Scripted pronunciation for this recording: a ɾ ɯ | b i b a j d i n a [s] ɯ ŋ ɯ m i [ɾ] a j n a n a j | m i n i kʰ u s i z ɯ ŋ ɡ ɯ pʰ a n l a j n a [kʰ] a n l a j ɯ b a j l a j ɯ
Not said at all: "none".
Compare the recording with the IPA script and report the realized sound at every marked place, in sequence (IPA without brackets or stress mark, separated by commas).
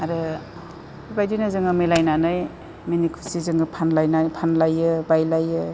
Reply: z, l, pʰ